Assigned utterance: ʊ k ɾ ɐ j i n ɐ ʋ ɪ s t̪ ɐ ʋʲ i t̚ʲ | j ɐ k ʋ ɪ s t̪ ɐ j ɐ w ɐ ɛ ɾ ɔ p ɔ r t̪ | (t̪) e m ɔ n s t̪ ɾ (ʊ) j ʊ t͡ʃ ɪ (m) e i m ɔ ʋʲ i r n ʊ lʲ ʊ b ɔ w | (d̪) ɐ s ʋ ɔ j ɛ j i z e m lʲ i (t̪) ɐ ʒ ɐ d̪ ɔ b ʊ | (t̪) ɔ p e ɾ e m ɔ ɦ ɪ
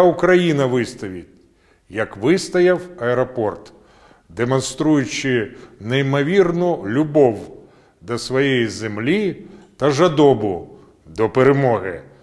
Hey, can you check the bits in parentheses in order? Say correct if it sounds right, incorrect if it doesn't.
incorrect: d̪, incorrect: u, incorrect: n, correct, correct, incorrect: d̪

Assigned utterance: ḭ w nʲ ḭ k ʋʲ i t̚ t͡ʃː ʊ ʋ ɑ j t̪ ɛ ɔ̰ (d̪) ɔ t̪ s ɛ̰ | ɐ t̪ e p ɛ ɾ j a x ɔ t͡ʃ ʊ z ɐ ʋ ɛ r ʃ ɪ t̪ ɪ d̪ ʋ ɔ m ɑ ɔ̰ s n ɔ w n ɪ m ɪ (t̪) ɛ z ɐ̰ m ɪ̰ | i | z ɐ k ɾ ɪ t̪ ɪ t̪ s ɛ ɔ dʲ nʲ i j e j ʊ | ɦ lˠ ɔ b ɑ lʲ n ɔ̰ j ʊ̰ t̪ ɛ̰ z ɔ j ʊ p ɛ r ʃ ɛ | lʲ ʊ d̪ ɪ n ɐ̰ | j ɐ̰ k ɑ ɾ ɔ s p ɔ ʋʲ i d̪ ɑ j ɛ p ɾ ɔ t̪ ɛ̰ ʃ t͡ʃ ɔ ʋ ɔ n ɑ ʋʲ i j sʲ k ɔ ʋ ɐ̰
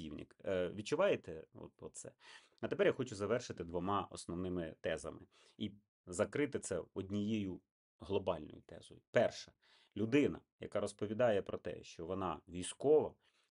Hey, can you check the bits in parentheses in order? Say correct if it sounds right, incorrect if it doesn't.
incorrect: t̪, correct

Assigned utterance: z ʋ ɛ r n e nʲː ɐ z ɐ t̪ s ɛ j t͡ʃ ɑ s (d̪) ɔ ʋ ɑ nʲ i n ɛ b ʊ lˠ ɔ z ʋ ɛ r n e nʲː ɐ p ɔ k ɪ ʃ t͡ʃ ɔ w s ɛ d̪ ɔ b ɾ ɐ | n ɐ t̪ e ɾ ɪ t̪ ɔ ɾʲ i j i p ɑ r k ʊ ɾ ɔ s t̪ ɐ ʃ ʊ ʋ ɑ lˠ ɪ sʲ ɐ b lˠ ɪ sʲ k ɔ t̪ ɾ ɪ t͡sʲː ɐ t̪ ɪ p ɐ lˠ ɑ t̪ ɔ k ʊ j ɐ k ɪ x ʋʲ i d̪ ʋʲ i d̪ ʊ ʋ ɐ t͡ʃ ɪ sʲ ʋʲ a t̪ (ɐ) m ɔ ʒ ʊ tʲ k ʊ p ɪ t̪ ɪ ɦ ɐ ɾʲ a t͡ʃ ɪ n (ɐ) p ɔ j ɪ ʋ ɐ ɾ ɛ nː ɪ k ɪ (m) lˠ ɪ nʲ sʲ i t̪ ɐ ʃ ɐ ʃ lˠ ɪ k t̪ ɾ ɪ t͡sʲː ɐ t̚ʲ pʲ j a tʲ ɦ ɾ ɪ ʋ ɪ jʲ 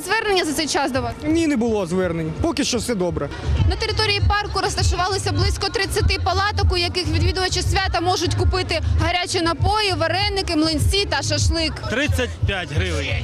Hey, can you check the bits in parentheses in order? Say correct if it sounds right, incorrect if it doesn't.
correct, correct, correct, correct

